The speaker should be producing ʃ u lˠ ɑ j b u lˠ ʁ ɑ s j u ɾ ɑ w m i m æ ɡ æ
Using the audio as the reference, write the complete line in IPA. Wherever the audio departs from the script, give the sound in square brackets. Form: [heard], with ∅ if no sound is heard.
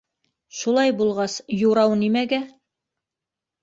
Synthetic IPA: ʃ u lˠ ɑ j b u lˠ ʁ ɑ s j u ɾ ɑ w [n] i m æ ɡ æ